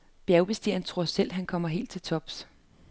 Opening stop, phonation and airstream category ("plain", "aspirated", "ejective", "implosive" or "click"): plain